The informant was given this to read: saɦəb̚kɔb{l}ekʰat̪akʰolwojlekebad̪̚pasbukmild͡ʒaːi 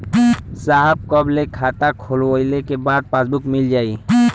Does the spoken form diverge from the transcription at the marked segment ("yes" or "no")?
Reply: no